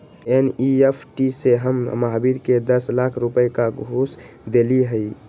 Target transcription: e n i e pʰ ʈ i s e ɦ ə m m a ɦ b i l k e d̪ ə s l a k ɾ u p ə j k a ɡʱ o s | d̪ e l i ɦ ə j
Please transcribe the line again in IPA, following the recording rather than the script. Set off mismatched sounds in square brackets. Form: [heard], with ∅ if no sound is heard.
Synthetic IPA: e n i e pʰ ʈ i s e ɦ ə m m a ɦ b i [ɾ] k e d̪ ə s l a [kʰ] ɾ u p ə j k a ɡʱ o s | d̪ e l i ɦ ə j